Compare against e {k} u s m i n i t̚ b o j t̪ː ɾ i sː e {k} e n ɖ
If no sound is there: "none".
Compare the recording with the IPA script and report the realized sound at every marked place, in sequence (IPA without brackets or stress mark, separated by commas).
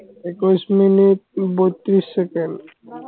k, k